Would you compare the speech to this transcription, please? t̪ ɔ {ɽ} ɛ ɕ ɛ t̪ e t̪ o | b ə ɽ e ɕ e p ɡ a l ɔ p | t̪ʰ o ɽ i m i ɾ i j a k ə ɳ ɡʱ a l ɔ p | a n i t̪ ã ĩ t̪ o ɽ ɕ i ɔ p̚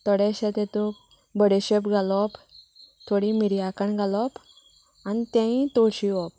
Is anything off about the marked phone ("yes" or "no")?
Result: no